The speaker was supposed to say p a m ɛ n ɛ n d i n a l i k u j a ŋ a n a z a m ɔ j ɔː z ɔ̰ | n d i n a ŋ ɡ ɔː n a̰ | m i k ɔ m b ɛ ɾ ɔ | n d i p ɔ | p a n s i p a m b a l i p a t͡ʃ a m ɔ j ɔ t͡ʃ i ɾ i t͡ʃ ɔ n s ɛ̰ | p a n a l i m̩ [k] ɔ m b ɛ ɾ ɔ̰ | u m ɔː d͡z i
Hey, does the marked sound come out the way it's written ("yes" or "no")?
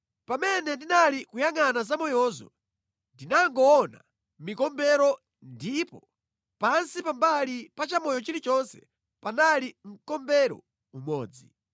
yes